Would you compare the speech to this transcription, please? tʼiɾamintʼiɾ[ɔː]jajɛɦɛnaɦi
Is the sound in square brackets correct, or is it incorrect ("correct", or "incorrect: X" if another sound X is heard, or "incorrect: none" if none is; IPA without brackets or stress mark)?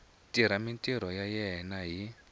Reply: incorrect: ɔ